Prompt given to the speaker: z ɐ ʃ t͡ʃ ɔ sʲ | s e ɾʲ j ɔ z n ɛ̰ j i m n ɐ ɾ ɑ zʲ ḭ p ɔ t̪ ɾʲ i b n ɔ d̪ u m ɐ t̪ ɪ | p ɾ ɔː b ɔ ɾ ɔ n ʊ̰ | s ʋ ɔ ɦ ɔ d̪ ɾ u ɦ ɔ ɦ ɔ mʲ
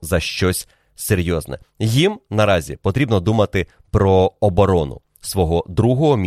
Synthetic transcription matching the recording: z ɐ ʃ t͡ʃ ɔ sʲ | s e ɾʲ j ɔ z n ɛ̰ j i m n ɐ ɾ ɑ zʲ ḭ p ɔ t̪ ɾʲ i b n ɔ d̪ u m ɐ t̪ ɪ | p ɾ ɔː b ɔ ɾ ɔ n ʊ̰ | s ʋ ɔ ɦ ɔ d̪ ɾ u ɦ ɔ ɦ ɔ mʲ